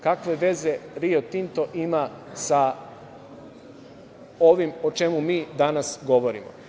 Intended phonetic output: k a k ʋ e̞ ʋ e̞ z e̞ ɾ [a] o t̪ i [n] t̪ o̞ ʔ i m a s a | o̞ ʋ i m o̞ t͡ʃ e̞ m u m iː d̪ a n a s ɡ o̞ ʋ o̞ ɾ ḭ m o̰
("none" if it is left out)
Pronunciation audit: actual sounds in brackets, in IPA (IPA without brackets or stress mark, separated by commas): i, n